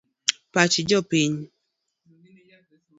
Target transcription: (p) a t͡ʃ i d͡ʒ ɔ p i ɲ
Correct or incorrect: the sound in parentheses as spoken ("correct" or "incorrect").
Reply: correct